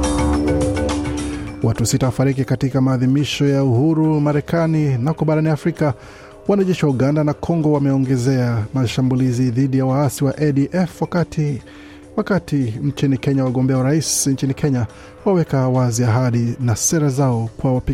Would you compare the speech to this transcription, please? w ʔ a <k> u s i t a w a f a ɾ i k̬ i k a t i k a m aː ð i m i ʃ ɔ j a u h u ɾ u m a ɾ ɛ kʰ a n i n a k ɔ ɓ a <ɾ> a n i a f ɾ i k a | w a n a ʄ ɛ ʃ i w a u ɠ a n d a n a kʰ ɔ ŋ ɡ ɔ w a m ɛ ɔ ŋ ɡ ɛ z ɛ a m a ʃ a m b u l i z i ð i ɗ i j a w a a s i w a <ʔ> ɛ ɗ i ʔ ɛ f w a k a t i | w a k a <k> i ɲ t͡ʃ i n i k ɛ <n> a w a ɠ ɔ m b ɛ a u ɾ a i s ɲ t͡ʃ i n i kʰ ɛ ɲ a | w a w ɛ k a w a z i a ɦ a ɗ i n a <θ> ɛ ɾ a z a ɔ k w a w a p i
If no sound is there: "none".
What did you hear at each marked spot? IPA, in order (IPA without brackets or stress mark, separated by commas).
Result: t, ɾ, ʔ, t, ɲ, s